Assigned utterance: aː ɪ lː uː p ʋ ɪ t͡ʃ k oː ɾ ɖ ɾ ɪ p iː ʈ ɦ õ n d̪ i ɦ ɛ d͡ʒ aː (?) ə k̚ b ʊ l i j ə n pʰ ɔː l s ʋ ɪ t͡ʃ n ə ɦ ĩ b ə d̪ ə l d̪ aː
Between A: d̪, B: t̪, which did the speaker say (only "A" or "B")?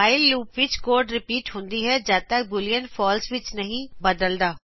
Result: B